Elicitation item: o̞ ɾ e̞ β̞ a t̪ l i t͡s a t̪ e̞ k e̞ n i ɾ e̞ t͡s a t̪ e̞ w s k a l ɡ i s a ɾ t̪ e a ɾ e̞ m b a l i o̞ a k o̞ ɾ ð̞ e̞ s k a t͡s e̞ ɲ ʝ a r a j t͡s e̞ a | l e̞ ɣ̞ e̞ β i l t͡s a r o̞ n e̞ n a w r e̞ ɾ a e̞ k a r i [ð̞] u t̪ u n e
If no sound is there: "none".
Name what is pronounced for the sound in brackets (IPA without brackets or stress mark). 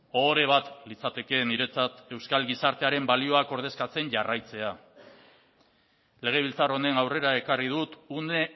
ð̞